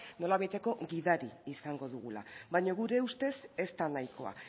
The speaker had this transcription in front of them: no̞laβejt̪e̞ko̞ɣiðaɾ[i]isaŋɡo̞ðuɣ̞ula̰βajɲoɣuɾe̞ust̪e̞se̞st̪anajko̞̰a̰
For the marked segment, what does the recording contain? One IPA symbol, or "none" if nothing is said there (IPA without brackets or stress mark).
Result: i